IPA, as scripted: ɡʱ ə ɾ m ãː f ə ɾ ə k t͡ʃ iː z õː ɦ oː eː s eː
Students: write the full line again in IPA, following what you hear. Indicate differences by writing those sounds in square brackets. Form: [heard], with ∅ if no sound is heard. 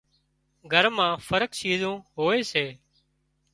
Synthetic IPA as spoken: ɡʱ ə ɾ m ãː f ə ɾ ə k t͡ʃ iː z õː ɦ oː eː s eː